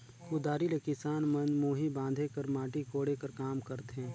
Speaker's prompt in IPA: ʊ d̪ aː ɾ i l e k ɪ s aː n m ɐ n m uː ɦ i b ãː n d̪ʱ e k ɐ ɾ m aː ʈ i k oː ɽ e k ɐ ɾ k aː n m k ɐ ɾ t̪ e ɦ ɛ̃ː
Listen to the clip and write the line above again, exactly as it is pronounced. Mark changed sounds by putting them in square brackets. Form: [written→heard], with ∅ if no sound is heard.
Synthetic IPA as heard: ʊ d̪ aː ɾ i l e k ɪ s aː n m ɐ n m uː ɦ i b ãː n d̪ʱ e k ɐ ɾ m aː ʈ i k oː ɽ e k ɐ ɾ k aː [n→∅] m k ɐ ɾ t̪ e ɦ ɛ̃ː